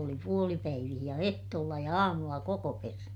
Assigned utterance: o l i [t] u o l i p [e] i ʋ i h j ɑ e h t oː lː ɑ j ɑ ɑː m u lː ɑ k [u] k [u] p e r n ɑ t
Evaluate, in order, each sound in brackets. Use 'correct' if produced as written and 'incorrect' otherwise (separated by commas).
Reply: incorrect, incorrect, incorrect, incorrect